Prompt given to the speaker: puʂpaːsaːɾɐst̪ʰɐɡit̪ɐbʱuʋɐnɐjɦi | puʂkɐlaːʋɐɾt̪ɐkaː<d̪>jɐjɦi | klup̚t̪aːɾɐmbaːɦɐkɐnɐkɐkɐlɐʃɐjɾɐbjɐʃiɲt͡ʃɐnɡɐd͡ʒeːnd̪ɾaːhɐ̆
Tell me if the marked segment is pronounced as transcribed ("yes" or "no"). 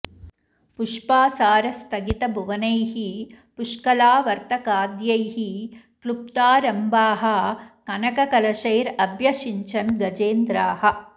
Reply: yes